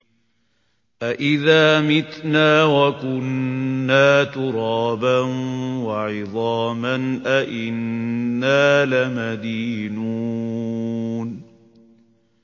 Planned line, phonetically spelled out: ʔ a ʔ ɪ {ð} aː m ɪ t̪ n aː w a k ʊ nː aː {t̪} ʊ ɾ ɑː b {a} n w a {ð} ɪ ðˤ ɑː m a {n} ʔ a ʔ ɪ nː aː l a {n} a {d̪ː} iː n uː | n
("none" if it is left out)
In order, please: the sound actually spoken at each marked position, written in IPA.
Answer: ð, t̪, a, ʕ, n, m, d̪

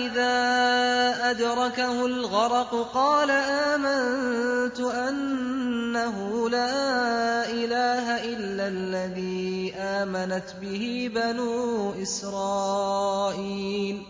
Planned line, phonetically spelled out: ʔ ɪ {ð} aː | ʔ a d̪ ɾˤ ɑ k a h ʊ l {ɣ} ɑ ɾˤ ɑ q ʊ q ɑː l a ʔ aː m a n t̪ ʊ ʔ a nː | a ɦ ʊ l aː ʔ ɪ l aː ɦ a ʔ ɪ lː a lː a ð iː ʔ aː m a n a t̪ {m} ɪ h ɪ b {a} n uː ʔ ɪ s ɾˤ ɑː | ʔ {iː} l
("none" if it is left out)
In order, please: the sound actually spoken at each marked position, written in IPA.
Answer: ð, ɣ, b, a, iː

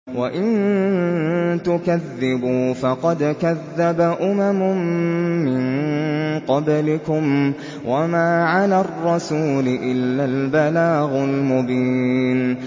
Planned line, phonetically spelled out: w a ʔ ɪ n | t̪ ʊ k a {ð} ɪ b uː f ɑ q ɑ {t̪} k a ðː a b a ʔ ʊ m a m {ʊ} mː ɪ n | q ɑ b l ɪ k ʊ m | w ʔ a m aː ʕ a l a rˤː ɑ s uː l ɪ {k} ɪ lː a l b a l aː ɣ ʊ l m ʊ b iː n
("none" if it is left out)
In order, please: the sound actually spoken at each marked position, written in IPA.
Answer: ðː, d̪, ʊ, ʔ

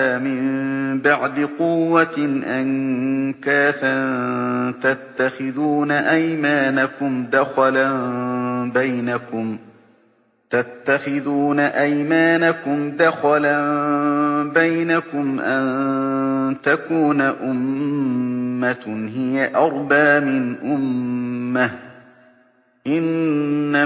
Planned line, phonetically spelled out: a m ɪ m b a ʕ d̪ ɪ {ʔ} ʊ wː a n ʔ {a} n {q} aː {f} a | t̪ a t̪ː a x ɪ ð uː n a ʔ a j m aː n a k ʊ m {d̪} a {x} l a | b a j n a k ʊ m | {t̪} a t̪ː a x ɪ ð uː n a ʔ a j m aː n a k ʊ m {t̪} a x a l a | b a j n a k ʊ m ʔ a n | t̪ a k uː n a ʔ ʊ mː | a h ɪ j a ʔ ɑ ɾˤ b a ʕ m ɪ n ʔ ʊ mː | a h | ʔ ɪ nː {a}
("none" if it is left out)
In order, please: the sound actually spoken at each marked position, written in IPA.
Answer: q, a, k, f, d̪, x, t̪, d̪, a

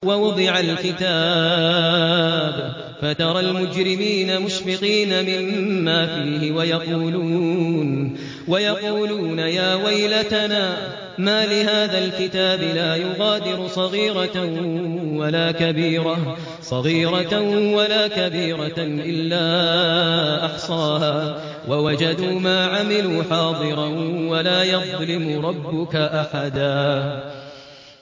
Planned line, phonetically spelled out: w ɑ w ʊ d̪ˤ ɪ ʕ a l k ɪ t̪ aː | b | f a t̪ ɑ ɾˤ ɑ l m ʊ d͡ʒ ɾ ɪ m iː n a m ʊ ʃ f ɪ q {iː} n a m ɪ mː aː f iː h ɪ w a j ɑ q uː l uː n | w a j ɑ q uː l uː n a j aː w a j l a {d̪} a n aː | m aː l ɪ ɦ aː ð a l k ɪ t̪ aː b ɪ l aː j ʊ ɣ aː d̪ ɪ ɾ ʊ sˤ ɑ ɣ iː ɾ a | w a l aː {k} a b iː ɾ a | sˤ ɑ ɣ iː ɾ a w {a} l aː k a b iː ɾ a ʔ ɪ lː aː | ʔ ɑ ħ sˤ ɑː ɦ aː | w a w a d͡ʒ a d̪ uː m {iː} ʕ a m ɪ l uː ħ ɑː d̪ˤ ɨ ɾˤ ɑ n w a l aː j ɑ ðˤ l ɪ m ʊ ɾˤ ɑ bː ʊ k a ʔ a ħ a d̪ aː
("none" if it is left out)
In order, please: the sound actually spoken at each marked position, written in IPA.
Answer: iː, t̪, k, a, aː

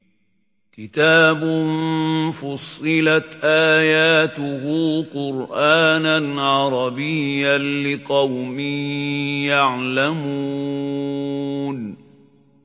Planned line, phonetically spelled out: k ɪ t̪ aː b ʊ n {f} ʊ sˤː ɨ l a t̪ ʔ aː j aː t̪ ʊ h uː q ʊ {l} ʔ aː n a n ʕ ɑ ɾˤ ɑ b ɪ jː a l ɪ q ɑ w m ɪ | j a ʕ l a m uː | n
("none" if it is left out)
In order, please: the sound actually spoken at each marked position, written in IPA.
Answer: f, ɾ

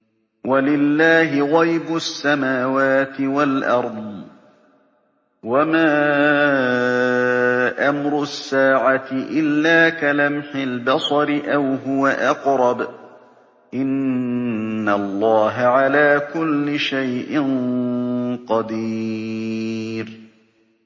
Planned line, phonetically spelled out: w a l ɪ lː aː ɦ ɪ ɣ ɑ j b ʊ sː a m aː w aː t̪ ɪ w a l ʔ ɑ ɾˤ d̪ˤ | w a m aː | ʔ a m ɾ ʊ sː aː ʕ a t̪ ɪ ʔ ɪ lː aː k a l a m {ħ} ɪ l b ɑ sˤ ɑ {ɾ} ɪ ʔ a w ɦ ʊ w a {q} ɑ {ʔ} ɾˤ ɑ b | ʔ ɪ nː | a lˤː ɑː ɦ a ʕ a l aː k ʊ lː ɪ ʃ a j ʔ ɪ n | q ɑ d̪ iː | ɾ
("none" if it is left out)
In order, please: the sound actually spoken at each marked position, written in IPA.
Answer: ħ, ɾ, ʔ, q

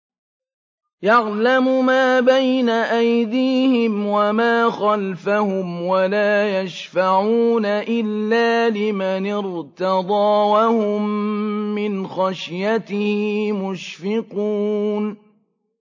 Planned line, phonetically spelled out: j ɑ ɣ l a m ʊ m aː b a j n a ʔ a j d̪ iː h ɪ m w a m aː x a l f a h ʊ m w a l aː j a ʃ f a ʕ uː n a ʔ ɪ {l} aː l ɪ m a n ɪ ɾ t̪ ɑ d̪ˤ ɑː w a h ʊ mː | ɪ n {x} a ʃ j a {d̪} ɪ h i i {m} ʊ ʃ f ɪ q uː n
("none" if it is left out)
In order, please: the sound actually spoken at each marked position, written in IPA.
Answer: lː, x, t̪, m

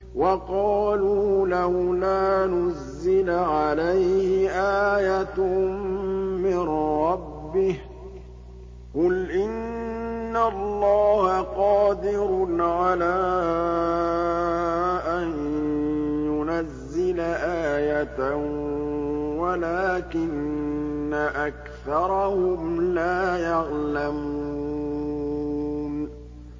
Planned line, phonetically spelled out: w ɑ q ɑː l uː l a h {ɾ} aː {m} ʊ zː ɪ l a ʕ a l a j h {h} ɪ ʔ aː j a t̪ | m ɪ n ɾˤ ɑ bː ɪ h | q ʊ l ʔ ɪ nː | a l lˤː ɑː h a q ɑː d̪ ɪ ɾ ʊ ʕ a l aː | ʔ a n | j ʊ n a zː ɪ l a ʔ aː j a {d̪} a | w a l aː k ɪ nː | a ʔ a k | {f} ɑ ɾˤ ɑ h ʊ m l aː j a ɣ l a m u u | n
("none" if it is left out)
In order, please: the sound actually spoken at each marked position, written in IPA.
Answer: l, n, h, t̪, θ

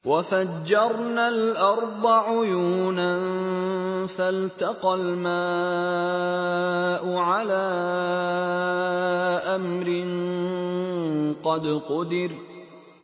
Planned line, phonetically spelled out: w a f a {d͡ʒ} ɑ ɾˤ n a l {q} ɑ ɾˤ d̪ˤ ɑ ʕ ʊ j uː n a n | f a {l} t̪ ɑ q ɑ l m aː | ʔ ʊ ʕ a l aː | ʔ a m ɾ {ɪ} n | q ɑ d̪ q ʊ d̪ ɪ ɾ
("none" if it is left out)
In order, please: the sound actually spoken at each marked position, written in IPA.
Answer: d͡ʒː, ʔ, l, ɪ

